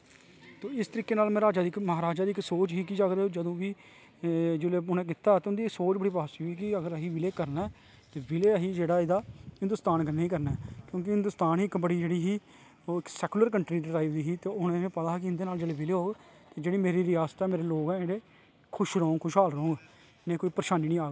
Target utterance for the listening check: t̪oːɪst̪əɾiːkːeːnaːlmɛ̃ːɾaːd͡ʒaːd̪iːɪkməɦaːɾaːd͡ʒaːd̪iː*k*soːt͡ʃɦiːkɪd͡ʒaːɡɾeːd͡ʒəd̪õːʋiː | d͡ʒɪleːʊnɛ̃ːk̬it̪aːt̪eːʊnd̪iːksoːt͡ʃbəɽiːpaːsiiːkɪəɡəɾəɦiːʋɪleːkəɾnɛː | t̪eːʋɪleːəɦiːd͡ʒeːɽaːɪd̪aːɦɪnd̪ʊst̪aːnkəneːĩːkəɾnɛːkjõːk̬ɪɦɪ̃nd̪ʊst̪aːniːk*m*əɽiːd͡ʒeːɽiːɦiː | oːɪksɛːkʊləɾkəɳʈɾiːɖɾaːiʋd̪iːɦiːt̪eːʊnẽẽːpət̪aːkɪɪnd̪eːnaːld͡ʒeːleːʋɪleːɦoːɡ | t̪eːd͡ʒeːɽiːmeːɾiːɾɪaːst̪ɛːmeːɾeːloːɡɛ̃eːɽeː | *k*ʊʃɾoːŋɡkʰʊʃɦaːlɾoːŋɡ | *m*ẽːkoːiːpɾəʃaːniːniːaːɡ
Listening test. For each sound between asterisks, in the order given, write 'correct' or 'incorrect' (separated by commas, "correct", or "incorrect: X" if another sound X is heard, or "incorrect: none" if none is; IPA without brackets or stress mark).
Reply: correct, incorrect: b, incorrect: kʰ, incorrect: n